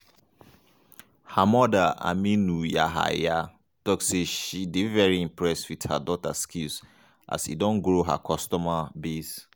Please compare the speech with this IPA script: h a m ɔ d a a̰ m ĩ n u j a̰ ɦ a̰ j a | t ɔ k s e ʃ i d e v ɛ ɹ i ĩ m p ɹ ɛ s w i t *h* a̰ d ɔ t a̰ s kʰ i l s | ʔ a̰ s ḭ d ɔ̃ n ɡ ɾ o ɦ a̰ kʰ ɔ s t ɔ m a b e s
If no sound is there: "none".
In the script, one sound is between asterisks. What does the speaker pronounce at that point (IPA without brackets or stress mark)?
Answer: h